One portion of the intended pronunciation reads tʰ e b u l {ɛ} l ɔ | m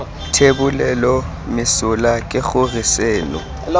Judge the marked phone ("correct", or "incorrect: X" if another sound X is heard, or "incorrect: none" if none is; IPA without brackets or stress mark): correct